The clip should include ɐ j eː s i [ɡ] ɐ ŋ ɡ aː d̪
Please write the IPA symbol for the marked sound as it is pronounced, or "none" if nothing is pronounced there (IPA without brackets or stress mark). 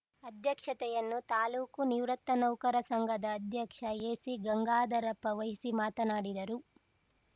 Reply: ɡ